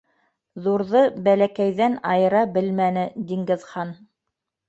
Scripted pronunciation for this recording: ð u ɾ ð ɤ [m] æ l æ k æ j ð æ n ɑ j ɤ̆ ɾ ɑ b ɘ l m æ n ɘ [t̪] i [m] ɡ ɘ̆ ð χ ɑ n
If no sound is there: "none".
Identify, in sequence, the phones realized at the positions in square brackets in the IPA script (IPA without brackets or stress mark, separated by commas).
b, d̪, ŋ